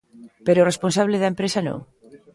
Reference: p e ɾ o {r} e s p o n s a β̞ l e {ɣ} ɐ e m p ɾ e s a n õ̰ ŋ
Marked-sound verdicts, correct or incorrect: correct, incorrect: ð

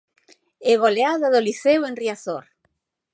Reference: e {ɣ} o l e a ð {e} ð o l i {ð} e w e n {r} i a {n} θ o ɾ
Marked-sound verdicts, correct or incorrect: correct, incorrect: a, incorrect: θ, correct, incorrect: none

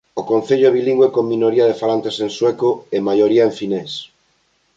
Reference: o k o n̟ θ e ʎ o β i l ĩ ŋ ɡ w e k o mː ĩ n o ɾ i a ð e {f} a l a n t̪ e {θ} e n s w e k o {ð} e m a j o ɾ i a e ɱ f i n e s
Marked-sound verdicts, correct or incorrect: correct, incorrect: s, incorrect: none

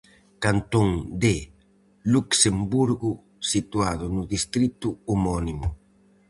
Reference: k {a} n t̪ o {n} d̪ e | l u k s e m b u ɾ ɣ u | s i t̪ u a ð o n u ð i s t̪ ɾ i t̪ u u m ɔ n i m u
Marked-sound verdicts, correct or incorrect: correct, incorrect: ŋ

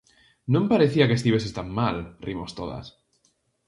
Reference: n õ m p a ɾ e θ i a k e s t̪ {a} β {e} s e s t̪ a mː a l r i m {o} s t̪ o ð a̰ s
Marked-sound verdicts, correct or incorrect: incorrect: i, correct, correct

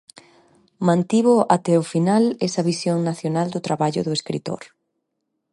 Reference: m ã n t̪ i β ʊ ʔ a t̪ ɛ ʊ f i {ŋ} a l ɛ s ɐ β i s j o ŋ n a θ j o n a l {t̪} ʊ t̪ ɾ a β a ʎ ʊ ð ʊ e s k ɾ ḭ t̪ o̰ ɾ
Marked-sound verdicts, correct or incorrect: incorrect: n, incorrect: d̪

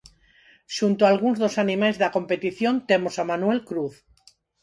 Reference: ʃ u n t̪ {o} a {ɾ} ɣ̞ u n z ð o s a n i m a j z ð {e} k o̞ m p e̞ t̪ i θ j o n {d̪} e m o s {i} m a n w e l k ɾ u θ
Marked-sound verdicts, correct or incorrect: correct, incorrect: l, incorrect: a, incorrect: t̪, incorrect: a

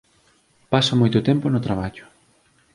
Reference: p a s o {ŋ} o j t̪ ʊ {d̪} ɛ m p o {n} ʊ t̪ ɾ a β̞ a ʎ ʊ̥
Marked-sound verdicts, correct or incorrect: incorrect: m, incorrect: t̪, correct

